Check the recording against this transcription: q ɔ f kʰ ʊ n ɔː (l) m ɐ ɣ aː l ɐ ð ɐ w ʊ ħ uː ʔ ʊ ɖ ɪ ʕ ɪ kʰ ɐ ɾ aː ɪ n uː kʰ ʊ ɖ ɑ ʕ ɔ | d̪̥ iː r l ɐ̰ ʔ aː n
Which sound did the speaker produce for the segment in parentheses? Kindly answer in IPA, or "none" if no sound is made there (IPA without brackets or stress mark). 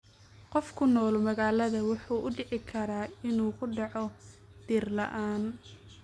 l